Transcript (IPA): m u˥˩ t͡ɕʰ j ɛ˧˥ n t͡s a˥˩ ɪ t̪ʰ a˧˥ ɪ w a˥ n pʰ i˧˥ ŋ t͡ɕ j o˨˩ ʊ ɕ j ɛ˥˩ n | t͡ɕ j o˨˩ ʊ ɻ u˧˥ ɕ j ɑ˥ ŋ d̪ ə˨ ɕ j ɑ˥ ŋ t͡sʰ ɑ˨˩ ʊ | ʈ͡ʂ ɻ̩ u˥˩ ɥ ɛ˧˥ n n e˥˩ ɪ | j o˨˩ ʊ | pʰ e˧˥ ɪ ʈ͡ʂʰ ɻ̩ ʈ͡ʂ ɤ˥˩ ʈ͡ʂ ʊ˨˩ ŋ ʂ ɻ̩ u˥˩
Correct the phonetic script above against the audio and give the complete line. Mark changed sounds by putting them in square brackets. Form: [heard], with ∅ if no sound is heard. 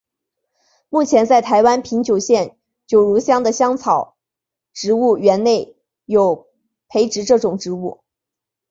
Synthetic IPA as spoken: m u˥˩ t͡ɕʰ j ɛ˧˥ n t͡s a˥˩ ɪ t̪ʰ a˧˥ ɪ w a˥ n pʰ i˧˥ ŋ t͡ɕ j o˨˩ ʊ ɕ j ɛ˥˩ n | t͡ɕ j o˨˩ ʊ ɻ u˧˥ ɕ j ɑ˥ ŋ d̪ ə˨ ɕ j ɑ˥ ŋ t͡sʰ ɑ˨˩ ʊ | ʈ͡ʂ ɻ̩ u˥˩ ɥ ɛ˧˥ n n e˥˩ ɪ | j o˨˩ ʊ | pʰ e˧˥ ɪ [ʈ͡ʂ] ɻ̩ ʈ͡ʂ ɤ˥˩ ʈ͡ʂ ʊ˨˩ ŋ [ʈ͡ʂ] ɻ̩ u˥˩